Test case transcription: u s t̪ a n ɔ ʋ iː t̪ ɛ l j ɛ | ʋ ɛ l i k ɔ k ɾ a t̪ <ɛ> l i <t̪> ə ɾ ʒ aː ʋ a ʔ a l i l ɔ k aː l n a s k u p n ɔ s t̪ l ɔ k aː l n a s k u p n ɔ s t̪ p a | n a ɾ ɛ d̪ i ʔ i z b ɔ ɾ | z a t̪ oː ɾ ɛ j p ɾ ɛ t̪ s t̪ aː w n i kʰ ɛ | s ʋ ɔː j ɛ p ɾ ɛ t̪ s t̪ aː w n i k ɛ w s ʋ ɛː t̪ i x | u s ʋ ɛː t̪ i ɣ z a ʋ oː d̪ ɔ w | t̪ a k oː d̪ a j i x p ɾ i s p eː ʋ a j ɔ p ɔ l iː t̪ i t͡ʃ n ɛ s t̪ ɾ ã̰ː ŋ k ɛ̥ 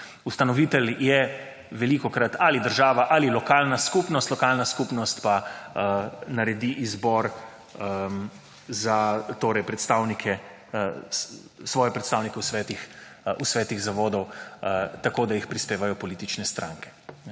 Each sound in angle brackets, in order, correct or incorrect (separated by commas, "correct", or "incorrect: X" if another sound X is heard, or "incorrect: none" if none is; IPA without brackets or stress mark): incorrect: a, incorrect: d̪